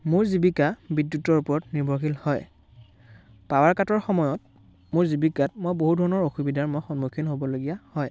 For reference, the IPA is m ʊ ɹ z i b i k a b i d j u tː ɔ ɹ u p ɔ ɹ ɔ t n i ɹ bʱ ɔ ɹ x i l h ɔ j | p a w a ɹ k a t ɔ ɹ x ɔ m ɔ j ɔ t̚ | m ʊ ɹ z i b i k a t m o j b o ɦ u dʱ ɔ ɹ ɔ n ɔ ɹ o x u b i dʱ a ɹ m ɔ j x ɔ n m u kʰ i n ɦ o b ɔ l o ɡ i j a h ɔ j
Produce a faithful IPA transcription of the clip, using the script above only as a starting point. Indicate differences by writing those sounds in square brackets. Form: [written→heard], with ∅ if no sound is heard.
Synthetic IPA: m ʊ ɹ z i b i k a b i d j u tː ɔ ɹ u p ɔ ɹ ɔ t n i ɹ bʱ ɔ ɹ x i l h ɔ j | p a w a ɹ k a t ɔ ɹ x ɔ m ɔ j ɔ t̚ | m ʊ ɹ z i b i k a t m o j b o ɦ u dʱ ɔ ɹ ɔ n ɔ ɹ o x u b i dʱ a ɹ m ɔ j x ɔ n m u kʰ i n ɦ o b ɔ l o ɡ i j a h ɔ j

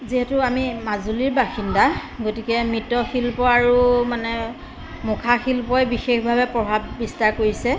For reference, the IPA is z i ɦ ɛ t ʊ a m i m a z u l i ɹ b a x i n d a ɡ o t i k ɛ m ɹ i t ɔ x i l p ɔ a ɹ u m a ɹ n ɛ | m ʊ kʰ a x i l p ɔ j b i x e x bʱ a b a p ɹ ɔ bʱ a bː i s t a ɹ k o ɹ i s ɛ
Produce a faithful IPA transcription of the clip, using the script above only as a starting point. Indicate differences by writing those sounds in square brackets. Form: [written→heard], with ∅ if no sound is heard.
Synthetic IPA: z i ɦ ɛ t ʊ a m i m a z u l i ɹ b a x i n d a ɡ o t i k ɛ m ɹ i t ɔ x i l p ɔ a ɹ u m a [ɹ→∅] n ɛ | m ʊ kʰ a x i l p ɔ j b i x e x bʱ a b [a→ɛ] p ɹ ɔ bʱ a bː i s t a ɹ k o ɹ i s ɛ

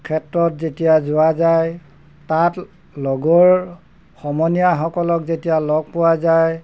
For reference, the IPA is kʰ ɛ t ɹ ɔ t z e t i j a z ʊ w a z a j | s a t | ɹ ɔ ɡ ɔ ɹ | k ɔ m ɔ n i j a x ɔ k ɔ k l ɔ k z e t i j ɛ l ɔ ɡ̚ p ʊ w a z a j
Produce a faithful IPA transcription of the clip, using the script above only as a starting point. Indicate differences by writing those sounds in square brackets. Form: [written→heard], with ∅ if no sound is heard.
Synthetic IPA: kʰ ɛ t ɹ ɔ t z e t i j a z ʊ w a z a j | [s→t] a t | [ɹ→l] ɔ ɡ ɔ ɹ | [k→x] ɔ m ɔ n i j a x ɔ k ɔ [k→∅] l ɔ k z e t i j [ɛ→a] l ɔ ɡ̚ p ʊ w a z a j

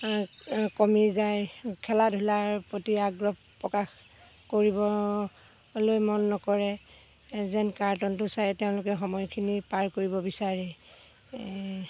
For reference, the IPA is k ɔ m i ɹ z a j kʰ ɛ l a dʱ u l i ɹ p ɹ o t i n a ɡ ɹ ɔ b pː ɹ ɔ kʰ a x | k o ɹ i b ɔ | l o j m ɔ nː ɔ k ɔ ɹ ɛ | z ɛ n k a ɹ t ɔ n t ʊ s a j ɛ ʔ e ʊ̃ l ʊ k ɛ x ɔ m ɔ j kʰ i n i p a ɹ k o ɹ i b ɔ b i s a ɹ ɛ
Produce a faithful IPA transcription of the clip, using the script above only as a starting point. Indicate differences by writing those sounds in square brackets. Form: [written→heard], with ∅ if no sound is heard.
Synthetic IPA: k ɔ m i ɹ z a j kʰ ɛ l a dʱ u l [i→a] ɹ p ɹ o t i [n→∅] a ɡ ɹ ɔ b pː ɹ ɔ [kʰ→k] a x | k o ɹ i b ɔ | l o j m ɔ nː ɔ k ɔ ɹ ɛ | z ɛ n k a ɹ t ɔ n t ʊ s a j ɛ [ʔ→t] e ʊ̃ l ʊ k ɛ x ɔ m ɔ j kʰ i n i p a ɹ k o ɹ i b ɔ b i s a ɹ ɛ

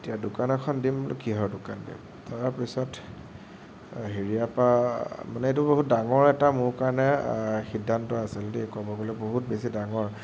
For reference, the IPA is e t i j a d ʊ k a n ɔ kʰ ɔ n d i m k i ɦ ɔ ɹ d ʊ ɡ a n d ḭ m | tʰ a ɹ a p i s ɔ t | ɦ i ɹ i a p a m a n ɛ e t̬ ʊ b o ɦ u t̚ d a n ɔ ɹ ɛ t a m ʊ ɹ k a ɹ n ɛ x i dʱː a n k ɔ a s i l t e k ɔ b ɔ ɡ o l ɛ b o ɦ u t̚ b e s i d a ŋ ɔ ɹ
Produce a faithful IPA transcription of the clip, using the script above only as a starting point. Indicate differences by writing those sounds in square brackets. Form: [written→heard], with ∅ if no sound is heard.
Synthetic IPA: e t i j a d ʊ k a n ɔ kʰ ɔ n d i m k i ɦ ɔ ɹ d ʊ [ɡ→k] a n d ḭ m | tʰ a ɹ a p i s ɔ t | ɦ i ɹ i a p a m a n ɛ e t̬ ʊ b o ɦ u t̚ d a [n→ŋ] ɔ ɹ ɛ t a m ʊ ɹ k a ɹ n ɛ x i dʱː a n [k→t] ɔ a s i l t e k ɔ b ɔ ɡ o l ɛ b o ɦ u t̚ b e s i d a ŋ ɔ ɹ

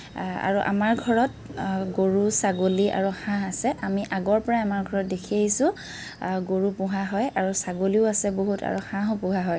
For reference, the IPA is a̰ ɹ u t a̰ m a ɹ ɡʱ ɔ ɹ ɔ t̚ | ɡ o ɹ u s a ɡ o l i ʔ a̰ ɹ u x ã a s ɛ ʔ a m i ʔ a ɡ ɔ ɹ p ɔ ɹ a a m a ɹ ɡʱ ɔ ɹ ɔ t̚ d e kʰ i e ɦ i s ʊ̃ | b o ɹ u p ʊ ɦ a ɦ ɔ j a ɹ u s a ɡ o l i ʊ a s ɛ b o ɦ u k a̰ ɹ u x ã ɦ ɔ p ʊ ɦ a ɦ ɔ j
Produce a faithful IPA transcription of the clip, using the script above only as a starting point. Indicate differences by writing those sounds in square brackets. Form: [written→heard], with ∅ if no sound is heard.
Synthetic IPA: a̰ ɹ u [t→ʔ] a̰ m a ɹ ɡʱ ɔ ɹ ɔ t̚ | ɡ o ɹ u s a ɡ o l i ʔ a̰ ɹ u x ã a s ɛ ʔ a m i ʔ a ɡ ɔ ɹ p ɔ ɹ a a m a ɹ ɡʱ ɔ ɹ ɔ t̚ d e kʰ i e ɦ i s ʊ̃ | [b→ɡ] o ɹ u p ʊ ɦ a ɦ ɔ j a ɹ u s a ɡ o l i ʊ a s ɛ b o ɦ u [k→t] a̰ ɹ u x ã ɦ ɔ p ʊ ɦ a ɦ ɔ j

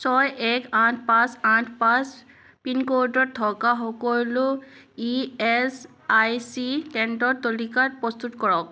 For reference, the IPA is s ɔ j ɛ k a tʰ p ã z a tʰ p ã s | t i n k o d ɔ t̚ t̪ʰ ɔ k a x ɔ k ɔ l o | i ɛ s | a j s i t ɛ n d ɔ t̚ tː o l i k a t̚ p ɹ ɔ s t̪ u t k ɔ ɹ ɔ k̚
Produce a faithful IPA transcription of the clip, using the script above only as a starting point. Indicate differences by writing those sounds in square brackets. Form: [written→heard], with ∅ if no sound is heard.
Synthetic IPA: s ɔ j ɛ k a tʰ p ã [z→s] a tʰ p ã s | [t→p] i n k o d ɔ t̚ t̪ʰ ɔ k a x ɔ k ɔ l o | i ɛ s | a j s i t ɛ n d ɔ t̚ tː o l i k a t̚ p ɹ ɔ s t̪ u t k ɔ ɹ ɔ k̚

